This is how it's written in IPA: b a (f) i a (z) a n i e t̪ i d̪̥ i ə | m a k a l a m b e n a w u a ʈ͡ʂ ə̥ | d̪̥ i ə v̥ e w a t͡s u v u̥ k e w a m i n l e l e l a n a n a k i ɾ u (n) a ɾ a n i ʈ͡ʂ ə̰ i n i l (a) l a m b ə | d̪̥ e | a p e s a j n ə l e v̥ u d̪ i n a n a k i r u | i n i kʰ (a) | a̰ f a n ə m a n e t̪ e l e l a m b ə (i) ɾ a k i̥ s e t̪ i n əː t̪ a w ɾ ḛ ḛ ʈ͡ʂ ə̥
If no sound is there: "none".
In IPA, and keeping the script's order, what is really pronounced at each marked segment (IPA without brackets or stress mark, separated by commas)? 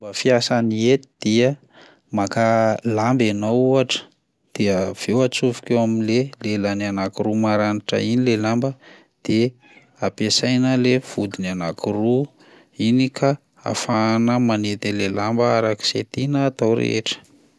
f, s, m, e, a, a